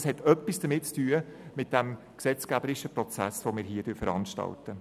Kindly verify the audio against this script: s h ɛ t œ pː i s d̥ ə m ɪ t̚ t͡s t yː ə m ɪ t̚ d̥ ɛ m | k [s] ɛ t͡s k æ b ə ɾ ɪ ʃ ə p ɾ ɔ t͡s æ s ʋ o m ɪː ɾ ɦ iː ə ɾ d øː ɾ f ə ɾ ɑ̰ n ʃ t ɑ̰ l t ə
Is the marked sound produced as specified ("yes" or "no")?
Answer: yes